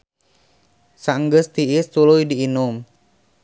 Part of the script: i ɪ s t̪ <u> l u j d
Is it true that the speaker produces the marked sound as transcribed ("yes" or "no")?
yes